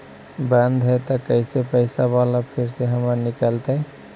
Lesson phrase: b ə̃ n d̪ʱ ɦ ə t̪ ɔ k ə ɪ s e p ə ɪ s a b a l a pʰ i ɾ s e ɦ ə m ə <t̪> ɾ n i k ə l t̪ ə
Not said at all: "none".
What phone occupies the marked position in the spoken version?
none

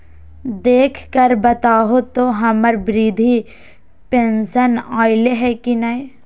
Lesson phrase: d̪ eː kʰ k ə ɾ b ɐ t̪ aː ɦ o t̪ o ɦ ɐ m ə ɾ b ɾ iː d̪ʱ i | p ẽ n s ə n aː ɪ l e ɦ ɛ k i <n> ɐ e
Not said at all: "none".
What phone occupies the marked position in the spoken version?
n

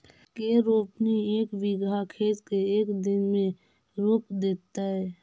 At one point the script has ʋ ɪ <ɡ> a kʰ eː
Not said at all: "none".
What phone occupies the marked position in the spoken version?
ɡ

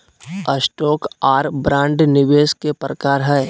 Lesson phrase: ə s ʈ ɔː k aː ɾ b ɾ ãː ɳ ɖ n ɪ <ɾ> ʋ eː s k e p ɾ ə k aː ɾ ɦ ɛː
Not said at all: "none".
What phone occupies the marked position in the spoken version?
none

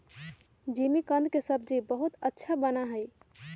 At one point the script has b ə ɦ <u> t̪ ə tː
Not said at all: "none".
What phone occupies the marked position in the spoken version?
u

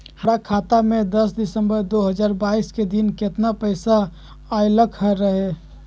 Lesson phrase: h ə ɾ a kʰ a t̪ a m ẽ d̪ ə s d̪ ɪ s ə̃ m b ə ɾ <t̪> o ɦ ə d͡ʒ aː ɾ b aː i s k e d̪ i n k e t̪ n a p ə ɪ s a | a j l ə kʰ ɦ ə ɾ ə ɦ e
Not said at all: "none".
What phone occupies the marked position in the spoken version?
d̪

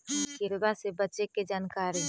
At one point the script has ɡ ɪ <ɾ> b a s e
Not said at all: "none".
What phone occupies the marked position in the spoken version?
ɾ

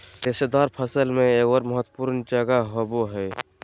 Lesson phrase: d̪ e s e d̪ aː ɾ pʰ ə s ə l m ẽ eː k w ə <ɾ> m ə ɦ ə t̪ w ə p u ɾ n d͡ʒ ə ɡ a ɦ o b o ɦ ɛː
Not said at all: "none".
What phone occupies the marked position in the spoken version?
ɾ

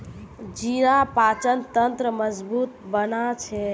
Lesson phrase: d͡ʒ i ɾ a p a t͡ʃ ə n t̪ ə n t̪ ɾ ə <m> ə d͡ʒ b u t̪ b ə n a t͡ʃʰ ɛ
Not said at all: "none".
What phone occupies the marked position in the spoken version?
m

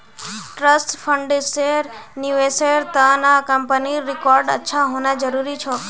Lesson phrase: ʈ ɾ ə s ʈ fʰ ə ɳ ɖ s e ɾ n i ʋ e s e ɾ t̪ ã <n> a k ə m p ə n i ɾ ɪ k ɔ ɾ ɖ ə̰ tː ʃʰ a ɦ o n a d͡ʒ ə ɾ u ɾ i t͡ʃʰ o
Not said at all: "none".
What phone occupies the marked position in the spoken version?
n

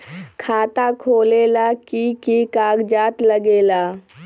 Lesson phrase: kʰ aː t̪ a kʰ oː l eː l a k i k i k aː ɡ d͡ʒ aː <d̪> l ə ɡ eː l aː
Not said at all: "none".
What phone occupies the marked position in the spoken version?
t̪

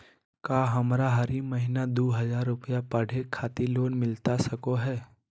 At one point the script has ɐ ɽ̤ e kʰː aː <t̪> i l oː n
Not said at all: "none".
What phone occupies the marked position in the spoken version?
t̪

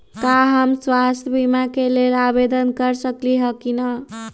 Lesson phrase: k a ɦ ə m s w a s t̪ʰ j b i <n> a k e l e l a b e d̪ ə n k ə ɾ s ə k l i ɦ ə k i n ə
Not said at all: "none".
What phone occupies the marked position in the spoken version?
m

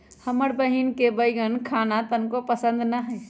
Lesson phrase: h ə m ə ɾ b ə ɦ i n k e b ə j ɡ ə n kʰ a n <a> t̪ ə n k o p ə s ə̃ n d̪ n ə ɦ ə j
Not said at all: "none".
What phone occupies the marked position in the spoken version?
a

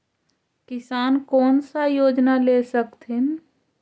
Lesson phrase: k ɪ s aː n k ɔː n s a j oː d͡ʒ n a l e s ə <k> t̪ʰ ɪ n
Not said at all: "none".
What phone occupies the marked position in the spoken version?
k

